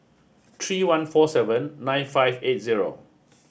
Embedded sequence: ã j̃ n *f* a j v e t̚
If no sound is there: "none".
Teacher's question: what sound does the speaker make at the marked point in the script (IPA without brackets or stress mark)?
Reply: f